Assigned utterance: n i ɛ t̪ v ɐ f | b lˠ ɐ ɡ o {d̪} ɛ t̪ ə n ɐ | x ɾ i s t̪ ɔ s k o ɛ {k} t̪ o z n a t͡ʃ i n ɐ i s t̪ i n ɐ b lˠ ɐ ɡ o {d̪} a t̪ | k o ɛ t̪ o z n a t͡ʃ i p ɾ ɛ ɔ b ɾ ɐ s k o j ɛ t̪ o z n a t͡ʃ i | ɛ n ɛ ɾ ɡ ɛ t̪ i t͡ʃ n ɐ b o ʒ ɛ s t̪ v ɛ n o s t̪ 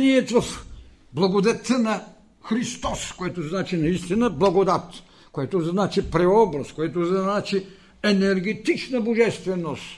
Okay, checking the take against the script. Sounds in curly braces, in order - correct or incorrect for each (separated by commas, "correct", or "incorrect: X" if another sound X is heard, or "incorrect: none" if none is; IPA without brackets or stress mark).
correct, incorrect: none, correct